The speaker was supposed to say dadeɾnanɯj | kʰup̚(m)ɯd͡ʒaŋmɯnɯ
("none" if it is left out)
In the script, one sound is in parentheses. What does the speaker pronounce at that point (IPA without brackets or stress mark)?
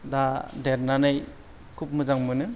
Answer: m